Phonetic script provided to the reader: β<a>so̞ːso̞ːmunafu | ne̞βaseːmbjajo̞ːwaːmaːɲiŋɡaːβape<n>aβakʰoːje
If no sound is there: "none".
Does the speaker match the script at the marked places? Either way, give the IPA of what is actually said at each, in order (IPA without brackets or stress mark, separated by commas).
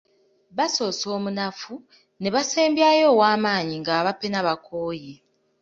a, n